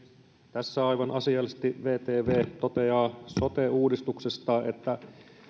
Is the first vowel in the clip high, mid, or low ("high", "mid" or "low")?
low